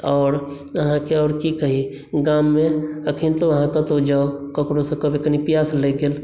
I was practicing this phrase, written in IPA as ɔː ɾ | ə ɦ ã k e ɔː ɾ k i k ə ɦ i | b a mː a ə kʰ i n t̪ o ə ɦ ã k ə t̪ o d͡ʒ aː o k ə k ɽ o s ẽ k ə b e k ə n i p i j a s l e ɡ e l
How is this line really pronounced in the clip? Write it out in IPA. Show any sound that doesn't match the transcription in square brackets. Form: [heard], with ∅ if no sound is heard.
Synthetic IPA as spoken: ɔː ɾ | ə ɦ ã k e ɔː ɾ k i k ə ɦ i | [ɡ] a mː [e] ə kʰ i n t̪ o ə ɦ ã k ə t̪ o d͡ʒ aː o k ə k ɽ o s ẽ k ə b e k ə n i p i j a s l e ɡ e l